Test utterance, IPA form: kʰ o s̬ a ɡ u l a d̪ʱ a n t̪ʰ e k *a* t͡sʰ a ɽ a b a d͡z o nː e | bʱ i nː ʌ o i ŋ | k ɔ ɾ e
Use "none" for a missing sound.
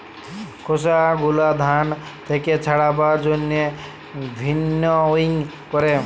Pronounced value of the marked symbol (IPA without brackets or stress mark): e